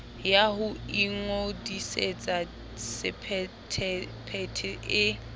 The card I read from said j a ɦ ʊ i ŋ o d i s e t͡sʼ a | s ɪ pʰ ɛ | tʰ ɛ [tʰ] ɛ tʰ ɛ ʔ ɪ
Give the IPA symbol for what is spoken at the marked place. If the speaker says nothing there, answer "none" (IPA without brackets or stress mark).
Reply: pʰ